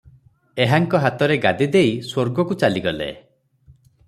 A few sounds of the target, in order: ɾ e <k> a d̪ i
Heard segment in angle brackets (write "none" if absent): ɡ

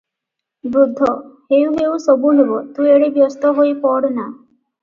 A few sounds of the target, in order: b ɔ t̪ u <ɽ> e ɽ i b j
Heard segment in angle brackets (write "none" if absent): none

